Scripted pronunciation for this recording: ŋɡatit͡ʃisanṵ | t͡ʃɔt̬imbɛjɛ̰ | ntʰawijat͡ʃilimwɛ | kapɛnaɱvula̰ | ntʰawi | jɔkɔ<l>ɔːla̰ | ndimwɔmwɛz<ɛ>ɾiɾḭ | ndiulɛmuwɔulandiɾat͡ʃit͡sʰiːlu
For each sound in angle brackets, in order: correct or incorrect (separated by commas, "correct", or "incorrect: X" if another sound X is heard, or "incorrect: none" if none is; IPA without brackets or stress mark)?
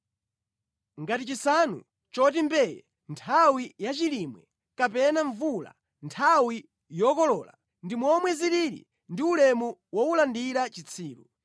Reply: correct, incorrect: i